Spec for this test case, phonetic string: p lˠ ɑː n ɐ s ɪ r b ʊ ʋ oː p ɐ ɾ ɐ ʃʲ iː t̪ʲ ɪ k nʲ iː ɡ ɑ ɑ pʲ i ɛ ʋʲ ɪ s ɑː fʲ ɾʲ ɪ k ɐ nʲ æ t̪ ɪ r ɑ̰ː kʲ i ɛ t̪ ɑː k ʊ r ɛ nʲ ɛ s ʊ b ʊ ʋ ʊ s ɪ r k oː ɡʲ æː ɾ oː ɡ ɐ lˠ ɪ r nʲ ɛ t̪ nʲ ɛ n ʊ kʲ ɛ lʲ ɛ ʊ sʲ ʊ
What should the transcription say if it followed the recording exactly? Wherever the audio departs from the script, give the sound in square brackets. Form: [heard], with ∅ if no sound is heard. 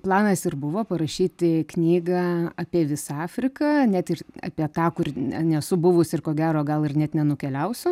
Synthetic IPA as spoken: p lˠ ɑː n ɐ s ɪ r b ʊ ʋ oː p ɐ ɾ ɐ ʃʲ iː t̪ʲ ɪ k nʲ iː ɡ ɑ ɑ pʲ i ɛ ʋʲ ɪ s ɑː fʲ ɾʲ ɪ k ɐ nʲ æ t̪ ɪ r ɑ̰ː [pʲ] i ɛ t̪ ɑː k ʊ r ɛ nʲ ɛ s ʊ b ʊ ʋ ʊ s ɪ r k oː ɡʲ æː ɾ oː ɡ ɐ lˠ ɪ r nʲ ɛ t̪ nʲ ɛ n ʊ kʲ ɛ lʲ ɛ ʊ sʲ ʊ